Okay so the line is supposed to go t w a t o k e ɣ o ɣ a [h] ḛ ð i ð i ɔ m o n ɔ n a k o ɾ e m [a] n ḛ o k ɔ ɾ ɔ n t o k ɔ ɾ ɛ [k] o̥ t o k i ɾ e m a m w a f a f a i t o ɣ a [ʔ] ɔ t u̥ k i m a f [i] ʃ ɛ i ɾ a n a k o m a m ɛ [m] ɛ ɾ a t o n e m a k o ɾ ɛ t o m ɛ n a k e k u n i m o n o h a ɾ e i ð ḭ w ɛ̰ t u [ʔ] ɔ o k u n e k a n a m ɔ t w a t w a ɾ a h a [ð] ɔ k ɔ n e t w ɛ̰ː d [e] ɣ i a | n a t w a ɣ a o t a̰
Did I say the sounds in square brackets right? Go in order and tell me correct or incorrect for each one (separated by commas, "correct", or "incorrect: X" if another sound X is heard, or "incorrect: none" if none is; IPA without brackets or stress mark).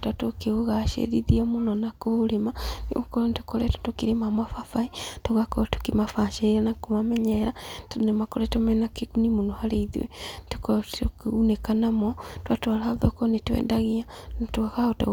incorrect: ʃ, correct, incorrect: t, incorrect: k, incorrect: a, incorrect: ɲ, incorrect: k, correct, incorrect: a